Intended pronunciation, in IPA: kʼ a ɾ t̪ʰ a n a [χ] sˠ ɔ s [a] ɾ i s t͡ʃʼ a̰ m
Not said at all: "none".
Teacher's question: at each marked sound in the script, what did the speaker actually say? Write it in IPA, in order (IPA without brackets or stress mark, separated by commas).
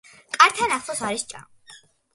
χ, a